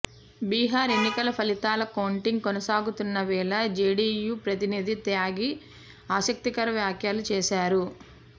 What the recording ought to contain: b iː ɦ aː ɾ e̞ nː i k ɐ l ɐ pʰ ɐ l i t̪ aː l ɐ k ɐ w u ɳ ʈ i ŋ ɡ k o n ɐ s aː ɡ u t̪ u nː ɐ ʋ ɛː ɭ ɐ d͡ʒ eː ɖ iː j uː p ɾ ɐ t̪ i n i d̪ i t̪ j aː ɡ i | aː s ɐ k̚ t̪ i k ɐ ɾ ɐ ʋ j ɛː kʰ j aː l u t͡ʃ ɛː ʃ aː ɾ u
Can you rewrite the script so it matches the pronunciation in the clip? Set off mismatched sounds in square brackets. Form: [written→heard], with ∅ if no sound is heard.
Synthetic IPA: b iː ɦ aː ɾ e̞ nː i k ɐ l ɐ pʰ ɐ l i t̪ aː l ɐ k ɐ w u ɳ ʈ i ŋ ɡ k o n ɐ s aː ɡ u t̪ u nː ɐ ʋ ɛː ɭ ɐ d͡ʒ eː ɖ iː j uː p ɾ ɐ t̪ i n i d̪ i t̪ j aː ɡ i | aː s ɐ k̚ t̪ i k ɐ ɾ ɐ ʋ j [ɛː→aː] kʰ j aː l u t͡ʃ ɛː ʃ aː ɾ u